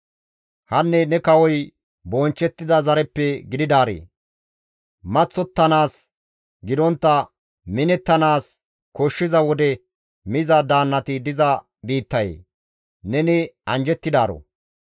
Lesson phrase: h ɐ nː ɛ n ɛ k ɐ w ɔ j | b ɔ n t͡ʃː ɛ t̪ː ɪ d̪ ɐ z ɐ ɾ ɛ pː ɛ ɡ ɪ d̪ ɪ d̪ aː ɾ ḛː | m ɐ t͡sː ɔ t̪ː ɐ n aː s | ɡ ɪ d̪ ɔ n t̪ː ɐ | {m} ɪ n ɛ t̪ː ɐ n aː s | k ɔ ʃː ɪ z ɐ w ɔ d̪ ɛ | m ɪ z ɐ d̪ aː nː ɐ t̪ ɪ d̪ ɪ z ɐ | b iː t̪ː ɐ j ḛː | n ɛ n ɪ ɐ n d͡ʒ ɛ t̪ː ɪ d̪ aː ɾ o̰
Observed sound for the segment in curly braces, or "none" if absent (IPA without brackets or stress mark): m